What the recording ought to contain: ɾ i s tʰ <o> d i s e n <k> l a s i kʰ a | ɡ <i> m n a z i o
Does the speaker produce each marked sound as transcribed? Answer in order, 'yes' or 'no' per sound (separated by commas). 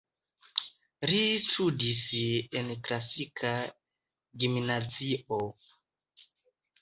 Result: no, yes, yes